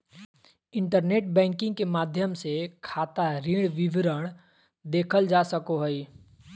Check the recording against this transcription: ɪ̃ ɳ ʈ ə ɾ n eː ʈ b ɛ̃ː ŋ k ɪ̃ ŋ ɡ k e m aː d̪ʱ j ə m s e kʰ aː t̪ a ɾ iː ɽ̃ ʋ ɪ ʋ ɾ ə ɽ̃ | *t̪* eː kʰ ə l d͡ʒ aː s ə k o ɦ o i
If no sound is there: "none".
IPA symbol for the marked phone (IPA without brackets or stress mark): d̪